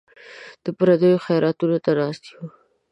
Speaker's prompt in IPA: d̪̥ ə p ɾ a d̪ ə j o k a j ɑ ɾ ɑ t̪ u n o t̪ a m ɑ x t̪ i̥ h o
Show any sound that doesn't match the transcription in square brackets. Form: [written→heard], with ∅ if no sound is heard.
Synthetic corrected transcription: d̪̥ ə p ɾ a d̪ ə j o [k→x] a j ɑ ɾ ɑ t̪ u n o t̪ a [m→n] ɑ [x→s] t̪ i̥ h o